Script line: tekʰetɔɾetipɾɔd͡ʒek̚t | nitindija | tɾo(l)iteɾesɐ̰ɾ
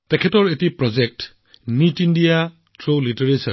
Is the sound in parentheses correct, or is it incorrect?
correct